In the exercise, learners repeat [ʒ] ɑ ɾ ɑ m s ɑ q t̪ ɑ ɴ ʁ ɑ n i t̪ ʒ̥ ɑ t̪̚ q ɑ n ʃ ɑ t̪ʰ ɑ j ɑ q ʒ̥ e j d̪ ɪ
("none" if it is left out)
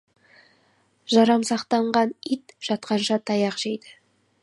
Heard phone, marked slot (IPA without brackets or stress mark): ʒ